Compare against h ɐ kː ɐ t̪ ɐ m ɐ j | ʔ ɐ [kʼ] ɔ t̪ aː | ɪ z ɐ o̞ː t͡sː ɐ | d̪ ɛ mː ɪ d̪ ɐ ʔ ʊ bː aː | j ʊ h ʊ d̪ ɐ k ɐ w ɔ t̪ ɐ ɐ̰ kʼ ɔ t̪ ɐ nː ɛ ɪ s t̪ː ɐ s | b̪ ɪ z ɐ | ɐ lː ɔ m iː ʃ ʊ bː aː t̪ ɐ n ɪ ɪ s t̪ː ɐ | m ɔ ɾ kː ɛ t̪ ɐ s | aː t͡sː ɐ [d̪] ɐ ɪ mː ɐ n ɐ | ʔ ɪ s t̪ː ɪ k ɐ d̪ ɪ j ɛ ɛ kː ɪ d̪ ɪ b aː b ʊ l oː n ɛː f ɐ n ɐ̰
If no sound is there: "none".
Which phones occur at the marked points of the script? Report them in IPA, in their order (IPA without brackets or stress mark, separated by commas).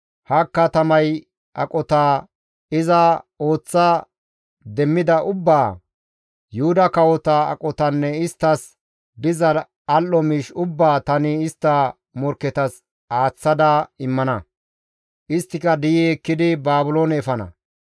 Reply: kʼ, d̪